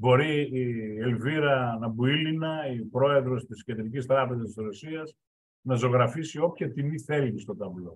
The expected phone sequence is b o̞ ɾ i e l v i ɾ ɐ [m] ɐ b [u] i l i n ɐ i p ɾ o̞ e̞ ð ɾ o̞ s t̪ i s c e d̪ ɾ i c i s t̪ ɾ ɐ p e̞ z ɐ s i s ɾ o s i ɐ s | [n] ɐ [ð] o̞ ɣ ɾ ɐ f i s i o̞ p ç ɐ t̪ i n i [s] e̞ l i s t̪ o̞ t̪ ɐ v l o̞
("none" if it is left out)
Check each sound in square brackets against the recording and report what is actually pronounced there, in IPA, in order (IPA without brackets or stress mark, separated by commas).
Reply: n, u, n, z, θ